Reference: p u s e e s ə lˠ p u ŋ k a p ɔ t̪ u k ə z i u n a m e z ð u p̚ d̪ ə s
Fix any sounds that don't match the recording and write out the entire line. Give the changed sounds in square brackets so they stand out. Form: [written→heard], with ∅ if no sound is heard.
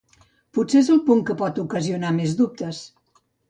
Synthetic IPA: p u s e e [s→z] ə lˠ p u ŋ k [a→ə] p ɔ t̪ u k ə z i u n a m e z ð u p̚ [d̪→t̪] ə s